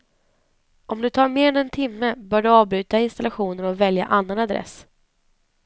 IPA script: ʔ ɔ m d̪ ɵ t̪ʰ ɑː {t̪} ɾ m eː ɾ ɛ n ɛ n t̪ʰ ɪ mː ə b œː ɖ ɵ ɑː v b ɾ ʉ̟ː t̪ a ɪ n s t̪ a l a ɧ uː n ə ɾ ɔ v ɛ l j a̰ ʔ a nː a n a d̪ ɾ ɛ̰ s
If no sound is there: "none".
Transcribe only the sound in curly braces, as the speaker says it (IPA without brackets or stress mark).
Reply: none